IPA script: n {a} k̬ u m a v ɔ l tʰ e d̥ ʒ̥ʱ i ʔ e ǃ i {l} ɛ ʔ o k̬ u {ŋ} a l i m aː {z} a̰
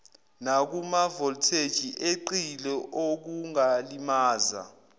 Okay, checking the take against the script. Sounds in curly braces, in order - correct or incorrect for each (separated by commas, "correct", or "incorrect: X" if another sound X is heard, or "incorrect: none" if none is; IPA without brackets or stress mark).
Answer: correct, correct, correct, correct